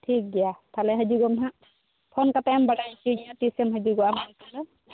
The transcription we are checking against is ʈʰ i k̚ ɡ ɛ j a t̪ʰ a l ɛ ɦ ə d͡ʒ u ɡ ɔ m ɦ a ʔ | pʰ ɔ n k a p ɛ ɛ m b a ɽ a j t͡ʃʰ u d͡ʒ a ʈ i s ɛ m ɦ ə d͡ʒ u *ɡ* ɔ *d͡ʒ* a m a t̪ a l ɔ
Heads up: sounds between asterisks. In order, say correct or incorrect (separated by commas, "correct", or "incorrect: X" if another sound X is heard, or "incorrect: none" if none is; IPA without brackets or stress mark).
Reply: correct, incorrect: none